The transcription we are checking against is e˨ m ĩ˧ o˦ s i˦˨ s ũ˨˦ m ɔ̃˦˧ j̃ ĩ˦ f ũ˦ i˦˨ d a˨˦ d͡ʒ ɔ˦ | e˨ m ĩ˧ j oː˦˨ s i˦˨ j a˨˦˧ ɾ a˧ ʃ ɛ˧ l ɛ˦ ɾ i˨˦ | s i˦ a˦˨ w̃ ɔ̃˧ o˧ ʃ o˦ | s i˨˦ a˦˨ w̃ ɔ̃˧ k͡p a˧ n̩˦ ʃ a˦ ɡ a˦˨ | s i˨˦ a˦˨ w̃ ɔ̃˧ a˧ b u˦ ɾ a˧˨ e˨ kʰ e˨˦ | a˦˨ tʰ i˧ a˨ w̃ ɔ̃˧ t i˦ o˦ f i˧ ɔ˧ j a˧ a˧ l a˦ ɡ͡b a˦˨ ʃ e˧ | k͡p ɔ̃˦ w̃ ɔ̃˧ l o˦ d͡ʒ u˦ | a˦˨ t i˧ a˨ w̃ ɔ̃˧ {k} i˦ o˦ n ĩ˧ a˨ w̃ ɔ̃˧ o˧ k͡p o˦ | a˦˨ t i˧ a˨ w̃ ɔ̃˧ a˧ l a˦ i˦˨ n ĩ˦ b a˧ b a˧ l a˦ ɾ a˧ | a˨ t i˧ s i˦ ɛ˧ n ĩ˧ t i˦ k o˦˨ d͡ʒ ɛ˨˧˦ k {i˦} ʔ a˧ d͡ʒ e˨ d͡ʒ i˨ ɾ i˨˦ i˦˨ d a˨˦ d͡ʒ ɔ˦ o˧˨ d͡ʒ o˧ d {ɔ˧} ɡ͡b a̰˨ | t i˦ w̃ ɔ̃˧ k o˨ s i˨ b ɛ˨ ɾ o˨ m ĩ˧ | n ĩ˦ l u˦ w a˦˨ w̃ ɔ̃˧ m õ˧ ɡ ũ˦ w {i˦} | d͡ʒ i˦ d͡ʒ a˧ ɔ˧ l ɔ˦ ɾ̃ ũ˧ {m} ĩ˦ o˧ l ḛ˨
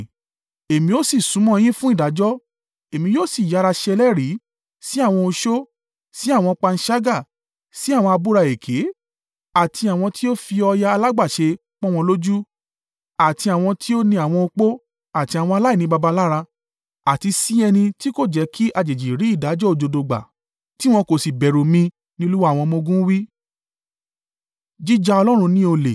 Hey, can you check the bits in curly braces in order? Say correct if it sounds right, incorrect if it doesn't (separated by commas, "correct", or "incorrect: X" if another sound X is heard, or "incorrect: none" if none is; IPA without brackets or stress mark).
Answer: incorrect: t, correct, incorrect: o˧, correct, incorrect: n